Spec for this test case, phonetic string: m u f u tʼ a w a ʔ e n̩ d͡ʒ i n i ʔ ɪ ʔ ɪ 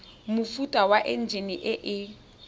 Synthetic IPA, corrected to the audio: m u f u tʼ a w a ʔ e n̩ d͡ʒ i n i ʔ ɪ ʔ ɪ